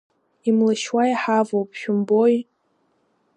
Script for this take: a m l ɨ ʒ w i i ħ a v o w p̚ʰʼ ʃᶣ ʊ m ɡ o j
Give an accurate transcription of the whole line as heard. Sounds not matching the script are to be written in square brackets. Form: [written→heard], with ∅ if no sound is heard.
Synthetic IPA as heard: [a→i] m l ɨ [ʒ→ʃ] w [i→a] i ħ a v o w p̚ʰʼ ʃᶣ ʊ m [ɡ→b] o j